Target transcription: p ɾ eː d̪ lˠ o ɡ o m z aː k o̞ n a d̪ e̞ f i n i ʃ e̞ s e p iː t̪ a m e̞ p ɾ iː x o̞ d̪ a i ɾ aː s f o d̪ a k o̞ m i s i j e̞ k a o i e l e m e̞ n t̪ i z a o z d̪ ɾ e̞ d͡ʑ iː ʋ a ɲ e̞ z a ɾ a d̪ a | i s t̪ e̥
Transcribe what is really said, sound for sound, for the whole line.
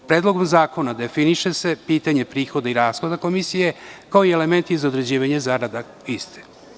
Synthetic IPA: p ɾ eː d̪ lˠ o ɡ o m z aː k o̞ n a d̪ e̞ f i n i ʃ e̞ s e p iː t̪ a ɲ e̞ p ɾ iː x o̞ d̪ a i ɾ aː s x o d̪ a k o̞ m i s i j e̞ k a o i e l e m e̞ n t̪ i z a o d̪ ɾ e̞ d͡ʑ iː ʋ a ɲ e̞ z a ɾ a d̪ a | i s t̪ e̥